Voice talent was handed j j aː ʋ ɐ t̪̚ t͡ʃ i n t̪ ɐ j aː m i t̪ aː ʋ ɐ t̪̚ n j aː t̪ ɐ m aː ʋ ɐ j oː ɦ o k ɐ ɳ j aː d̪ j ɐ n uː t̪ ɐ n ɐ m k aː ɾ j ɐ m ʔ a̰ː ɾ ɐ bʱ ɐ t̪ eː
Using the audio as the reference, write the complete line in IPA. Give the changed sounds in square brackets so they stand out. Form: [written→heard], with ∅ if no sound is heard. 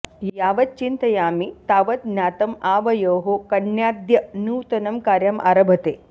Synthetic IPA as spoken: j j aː ʋ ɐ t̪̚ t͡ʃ i n t̪ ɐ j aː m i t̪ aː ʋ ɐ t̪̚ n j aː t̪ ɐ m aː ʋ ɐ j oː ɦ o k ɐ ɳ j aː d̪ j ɐ n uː t̪ ɐ n ɐ m k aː ɾ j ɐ m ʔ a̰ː ɾ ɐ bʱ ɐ t̪ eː